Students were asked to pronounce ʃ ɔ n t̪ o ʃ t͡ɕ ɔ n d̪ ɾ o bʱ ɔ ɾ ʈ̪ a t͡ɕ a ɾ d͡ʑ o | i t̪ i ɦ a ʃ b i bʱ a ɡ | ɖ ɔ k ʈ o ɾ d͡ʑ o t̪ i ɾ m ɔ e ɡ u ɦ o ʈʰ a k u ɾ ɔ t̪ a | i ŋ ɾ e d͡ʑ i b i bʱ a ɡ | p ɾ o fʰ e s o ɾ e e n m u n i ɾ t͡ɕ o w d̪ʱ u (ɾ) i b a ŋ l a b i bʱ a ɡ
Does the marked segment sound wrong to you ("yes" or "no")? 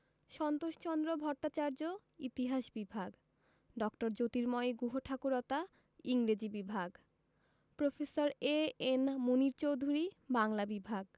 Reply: no